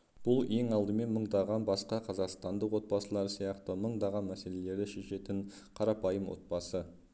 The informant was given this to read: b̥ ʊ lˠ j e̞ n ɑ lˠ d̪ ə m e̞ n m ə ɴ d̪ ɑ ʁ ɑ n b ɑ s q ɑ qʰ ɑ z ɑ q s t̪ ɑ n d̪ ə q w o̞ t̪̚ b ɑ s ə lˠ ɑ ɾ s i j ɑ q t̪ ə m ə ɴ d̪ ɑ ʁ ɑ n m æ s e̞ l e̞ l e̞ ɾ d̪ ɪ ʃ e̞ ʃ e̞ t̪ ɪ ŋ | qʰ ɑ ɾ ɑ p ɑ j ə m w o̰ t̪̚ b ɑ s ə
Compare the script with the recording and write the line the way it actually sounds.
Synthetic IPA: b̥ ʊ lˠ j e̞ ŋ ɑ lˠ d̪ ə m e̞ n m ə ɴ d̪ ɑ ʁ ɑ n b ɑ s q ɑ qʰ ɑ z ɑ q s t̪ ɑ n d̪ ə q w o̞ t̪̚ b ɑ s ə lˠ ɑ ɾ s i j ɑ q t̪ ə m ə ɴ d̪ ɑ ʁ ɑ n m æ s e̞ l e̞ l e̞ ɾ d̪ ɪ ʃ e̞ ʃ e̞ t̪ ɪ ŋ | qʰ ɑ ɾ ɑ p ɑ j ə m w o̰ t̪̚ b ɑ s ə